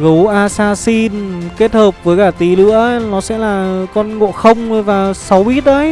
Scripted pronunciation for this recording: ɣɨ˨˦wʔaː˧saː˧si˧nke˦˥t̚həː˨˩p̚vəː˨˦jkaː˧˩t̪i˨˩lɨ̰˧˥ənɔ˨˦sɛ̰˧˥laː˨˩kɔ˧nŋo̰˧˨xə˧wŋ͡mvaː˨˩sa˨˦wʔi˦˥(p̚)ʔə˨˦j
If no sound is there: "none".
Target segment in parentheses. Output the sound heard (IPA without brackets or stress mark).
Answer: t̚